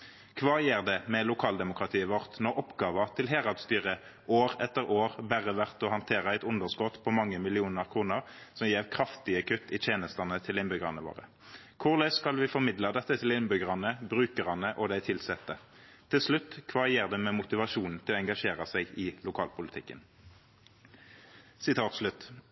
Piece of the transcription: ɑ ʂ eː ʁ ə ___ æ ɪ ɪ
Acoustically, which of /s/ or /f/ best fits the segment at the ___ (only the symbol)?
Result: s